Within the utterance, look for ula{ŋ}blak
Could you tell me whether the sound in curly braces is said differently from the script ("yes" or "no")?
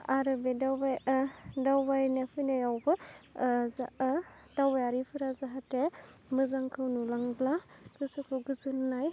no